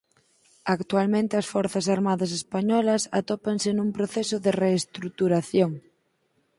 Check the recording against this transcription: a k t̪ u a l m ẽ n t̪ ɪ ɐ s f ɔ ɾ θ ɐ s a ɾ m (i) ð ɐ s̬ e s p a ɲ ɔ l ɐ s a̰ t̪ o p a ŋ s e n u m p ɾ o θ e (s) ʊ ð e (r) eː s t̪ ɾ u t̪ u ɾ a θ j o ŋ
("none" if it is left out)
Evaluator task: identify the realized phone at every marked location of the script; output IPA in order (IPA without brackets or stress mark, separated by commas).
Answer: a, s, r